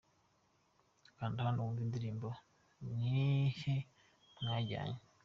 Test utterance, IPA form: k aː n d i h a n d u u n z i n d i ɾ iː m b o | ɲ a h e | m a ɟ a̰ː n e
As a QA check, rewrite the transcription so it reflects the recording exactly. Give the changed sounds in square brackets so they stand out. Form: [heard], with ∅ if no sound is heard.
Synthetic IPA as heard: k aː n d i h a n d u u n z i n d i ɾ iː m b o | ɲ [i] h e | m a ɟ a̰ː [ɲ] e